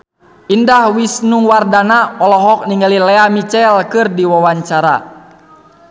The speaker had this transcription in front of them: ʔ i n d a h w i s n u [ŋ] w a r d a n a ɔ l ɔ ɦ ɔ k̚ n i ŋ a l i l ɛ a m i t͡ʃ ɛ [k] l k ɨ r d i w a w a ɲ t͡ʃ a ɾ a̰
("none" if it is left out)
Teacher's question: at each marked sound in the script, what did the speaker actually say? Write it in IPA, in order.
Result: ŋ, none

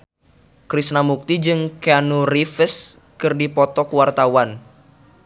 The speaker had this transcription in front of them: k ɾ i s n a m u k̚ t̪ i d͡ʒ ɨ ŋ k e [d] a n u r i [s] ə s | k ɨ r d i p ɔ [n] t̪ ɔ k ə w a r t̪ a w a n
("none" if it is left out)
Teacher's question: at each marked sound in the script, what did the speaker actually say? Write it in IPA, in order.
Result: none, f, none

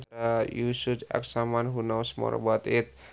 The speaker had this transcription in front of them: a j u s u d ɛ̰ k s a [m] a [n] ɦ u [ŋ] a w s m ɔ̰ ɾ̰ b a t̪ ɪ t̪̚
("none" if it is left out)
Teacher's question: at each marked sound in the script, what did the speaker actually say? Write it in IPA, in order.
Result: m, n, n

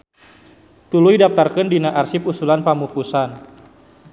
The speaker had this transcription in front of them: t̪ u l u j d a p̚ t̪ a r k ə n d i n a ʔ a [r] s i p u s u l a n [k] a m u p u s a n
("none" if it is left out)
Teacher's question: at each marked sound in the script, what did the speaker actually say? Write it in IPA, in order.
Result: r, p

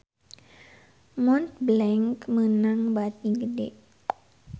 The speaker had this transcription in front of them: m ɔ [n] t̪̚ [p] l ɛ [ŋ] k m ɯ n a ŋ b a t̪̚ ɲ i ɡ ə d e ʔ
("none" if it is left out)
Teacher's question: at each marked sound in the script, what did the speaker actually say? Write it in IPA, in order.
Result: n, b, ŋ

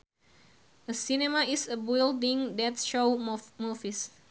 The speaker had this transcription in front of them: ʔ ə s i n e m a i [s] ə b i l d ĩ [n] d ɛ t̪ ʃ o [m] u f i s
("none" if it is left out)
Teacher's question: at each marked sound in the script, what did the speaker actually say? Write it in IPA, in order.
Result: s, ŋ, m

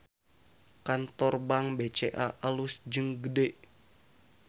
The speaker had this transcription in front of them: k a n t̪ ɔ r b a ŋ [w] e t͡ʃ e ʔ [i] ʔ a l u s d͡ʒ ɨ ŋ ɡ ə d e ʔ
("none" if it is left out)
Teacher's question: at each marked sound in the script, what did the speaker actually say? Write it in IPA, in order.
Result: b, a

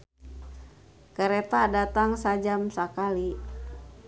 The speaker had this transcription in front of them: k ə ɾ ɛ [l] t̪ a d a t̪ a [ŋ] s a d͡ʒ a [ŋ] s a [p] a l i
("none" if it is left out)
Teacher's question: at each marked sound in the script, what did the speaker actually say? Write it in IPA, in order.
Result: none, ŋ, m, k

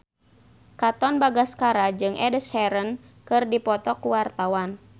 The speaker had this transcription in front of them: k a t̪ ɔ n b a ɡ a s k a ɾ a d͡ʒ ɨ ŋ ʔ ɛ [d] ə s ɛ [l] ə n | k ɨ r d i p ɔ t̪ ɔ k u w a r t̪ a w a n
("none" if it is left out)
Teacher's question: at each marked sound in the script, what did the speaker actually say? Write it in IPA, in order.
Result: d, ɾ

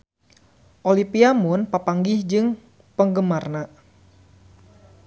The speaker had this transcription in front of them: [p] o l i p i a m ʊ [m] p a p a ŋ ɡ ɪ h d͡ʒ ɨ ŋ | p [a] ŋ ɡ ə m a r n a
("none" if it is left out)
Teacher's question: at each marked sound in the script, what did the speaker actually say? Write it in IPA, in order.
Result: ʔ, n, ə

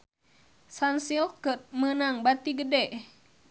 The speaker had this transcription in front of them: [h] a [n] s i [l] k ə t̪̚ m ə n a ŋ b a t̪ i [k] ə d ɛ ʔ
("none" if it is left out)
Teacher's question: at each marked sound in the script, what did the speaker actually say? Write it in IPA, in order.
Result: s, n, l, ɡ

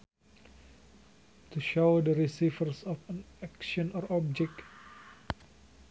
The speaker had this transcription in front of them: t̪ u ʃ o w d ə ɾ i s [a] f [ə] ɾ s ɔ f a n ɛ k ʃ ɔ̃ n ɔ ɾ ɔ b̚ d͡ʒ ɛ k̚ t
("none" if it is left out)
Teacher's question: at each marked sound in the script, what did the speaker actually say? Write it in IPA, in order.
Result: i, ə

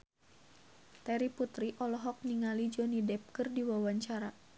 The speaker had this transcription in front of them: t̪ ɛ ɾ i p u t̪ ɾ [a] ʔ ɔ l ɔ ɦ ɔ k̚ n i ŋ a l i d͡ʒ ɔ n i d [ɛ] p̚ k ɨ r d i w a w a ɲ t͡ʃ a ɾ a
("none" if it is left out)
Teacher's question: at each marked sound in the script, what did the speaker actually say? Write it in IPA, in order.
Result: i, ɛ

